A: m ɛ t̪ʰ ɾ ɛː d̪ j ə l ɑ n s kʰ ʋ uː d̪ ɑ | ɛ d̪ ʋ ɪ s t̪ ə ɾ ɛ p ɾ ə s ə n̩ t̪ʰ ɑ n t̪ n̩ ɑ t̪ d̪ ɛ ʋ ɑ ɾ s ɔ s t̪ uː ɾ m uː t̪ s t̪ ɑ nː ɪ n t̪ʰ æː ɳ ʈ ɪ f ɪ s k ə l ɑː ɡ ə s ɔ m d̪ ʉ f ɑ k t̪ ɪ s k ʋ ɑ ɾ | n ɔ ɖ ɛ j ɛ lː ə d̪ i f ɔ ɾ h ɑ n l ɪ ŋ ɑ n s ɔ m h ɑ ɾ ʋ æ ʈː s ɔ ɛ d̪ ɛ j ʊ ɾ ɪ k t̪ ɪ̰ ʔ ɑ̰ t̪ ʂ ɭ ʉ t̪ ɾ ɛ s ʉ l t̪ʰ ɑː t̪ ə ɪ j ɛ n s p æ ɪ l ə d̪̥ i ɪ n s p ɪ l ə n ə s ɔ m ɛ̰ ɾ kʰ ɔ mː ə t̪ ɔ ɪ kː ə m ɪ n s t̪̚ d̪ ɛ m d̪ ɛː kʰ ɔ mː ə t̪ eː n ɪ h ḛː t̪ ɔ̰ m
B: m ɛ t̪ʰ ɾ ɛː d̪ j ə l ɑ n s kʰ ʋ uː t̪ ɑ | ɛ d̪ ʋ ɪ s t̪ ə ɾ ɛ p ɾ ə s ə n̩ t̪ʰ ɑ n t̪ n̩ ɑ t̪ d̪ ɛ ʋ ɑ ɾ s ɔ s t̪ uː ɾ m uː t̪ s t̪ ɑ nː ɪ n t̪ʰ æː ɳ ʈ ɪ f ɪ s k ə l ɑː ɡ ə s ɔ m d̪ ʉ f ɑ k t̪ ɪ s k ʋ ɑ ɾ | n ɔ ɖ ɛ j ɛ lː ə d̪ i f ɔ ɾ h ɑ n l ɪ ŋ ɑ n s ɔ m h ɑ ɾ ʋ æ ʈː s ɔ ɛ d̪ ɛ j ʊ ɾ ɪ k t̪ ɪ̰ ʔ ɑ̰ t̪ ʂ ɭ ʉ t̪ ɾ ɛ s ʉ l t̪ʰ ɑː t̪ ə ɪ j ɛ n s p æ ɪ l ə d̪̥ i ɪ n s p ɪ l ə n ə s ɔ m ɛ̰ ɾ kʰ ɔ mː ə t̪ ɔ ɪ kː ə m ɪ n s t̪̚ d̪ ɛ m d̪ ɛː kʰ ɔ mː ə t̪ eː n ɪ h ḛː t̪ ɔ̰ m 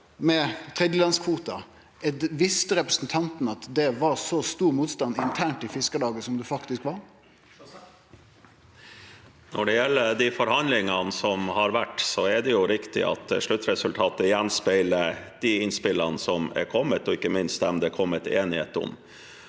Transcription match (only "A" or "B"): B